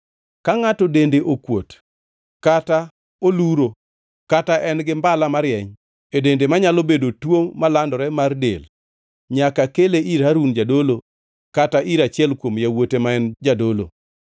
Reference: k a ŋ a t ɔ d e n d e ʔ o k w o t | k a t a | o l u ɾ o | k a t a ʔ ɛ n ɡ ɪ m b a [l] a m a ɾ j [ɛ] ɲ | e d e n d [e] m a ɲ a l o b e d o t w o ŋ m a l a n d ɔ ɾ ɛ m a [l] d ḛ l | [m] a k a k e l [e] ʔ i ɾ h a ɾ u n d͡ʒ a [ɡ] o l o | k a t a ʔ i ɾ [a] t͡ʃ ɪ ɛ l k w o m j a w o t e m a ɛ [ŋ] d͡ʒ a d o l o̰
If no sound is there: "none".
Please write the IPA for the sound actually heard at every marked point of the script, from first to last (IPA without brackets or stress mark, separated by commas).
l, ɛ, e, r, ɲ, e, d, a, n